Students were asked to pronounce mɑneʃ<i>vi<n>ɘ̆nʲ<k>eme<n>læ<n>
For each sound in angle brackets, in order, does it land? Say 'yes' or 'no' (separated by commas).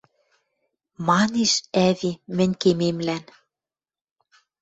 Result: no, no, yes, no, yes